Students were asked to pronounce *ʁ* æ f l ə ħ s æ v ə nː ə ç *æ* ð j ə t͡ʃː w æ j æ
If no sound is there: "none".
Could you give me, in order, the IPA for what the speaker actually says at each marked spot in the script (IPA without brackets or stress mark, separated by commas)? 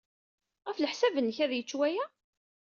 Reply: ʁ, æ